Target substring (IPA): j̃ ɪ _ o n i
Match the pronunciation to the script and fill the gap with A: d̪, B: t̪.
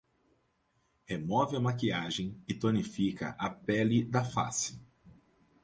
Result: B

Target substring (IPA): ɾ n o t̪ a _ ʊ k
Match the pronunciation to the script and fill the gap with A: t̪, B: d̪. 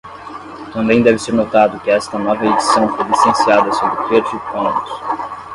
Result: B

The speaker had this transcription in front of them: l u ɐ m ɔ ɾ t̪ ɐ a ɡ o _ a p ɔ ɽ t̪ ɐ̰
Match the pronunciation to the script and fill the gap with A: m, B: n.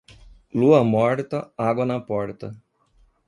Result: B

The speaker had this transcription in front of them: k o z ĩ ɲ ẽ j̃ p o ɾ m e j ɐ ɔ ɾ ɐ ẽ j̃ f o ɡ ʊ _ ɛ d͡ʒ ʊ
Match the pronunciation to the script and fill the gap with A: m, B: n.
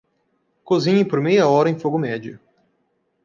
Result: A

